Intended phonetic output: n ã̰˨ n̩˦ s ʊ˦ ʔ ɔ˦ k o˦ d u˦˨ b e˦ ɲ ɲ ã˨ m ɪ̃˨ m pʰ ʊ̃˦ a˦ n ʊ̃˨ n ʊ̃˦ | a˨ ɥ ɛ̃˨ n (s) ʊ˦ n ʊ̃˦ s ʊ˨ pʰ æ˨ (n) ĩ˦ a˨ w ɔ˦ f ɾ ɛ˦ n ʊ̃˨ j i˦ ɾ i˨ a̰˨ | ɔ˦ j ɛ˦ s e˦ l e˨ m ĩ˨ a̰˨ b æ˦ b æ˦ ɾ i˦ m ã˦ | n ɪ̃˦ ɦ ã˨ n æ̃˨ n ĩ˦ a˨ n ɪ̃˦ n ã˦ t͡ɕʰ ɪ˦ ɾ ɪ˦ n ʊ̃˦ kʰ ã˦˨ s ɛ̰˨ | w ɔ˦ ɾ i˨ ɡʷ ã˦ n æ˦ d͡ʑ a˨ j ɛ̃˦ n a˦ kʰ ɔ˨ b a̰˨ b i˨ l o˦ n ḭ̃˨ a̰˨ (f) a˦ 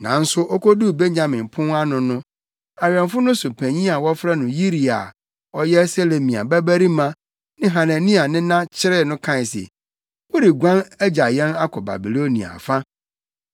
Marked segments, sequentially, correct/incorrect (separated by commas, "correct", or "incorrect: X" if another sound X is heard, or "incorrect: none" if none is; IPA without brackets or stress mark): incorrect: f, incorrect: ɲ, correct